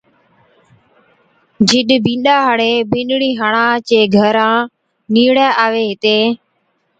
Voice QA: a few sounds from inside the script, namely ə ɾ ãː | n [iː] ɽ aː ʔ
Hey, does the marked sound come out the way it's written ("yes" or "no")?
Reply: yes